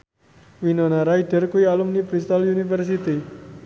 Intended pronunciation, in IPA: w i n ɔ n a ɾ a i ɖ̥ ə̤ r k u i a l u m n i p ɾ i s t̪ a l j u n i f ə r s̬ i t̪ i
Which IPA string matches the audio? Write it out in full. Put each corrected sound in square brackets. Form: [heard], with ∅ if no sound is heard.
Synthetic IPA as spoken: w i n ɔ n a ɾ a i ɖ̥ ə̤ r k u i a l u m n i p ɾ i s t̪ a l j u n i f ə r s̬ i t̪ i